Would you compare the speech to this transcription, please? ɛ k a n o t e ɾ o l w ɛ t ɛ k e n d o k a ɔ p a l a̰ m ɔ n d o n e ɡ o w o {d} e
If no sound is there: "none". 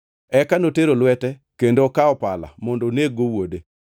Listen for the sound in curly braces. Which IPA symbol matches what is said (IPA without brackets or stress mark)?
d